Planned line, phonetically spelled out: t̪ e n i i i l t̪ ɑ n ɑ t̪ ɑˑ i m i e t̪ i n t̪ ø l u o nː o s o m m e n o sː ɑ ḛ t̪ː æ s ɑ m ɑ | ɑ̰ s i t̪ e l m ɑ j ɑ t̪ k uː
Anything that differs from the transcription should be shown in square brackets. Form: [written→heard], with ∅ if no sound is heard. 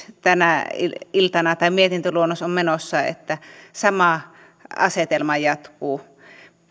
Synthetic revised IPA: t̪ [e→æ] n [i→æ] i i l t̪ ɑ n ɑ t̪ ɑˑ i m i e t̪ i n t̪ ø l u o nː o s o m m e n o sː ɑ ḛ t̪ː æ s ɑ m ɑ | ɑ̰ s [i→e] t̪ e l m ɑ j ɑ t̪ k uː

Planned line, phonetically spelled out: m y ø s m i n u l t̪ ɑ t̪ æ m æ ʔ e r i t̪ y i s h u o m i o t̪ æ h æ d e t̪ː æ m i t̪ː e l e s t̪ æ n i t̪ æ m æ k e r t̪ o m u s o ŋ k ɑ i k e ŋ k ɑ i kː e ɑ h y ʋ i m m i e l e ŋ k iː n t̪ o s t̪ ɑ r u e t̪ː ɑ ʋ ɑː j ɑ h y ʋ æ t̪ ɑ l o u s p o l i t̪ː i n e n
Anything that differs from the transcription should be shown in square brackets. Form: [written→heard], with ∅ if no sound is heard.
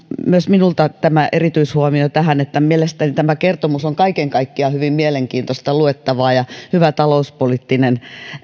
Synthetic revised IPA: m y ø s m i n u l t̪ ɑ t̪ æ m æ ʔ e r i t̪ y i s h u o m i o t̪ æ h æ [d→n] e t̪ː æ m i [t̪ː→∅] e l e s t̪ æ n i t̪ æ m æ k e r t̪ o m u s o ŋ k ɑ i k e ŋ k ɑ i kː [e→i] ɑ h y ʋ i m m i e l e ŋ k iː n t̪ o s t̪ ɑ [r→l] u e t̪ː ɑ ʋ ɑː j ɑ h y ʋ æ t̪ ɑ l o u s p o l i t̪ː i n e n

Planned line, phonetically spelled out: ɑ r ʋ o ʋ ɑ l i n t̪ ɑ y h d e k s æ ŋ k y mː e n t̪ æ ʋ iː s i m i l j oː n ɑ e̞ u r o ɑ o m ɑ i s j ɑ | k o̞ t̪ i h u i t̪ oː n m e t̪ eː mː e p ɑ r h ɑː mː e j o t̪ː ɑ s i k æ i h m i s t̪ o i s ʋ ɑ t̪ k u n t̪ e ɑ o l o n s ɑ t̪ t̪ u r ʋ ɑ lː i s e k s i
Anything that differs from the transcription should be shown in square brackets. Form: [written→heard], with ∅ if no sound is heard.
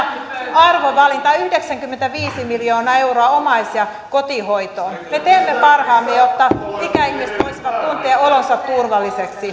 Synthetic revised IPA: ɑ r ʋ o ʋ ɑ l i n t̪ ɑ y h d e k s æ ŋ k y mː e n t̪ æ ʋ iː s i m i l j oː n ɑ e̞ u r o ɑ o m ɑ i s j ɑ | k o̞ t̪ i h [u→o] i t̪ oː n m e t̪ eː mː e p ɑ r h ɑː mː e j o t̪ː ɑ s i k æ i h m i s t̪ o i s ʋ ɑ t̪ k u n t̪ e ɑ o l o n s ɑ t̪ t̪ u r ʋ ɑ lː i s e k s i

